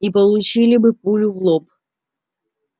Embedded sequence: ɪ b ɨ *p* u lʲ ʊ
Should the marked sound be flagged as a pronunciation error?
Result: no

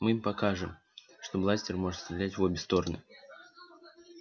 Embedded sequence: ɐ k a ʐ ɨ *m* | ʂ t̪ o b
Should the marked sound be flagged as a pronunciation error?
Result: no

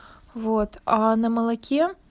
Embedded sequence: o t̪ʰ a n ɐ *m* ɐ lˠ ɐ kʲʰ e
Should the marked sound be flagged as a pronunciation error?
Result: no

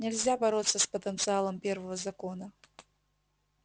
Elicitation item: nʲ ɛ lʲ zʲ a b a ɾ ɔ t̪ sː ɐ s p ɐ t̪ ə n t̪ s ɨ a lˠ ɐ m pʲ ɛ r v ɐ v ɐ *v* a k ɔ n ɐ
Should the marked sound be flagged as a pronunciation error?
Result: yes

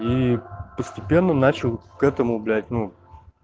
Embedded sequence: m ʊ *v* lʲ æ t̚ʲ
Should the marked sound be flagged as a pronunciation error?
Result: yes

